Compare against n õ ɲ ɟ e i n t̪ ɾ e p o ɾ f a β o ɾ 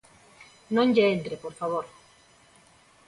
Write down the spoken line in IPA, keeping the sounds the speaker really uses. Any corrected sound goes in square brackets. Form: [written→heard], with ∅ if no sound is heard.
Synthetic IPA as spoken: n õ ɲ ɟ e [i→e] n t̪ ɾ e p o ɾ f a β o ɾ